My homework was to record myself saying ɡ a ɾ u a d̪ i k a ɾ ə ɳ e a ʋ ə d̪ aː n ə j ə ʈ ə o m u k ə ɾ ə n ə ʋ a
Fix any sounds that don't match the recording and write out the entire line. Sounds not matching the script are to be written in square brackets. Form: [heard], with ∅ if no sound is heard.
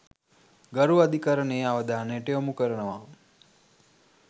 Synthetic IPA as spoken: ɡ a ɾ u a d̪ i k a ɾ ə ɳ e a ʋ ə d̪ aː n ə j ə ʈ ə o m u k ə ɾ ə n ə ʋ a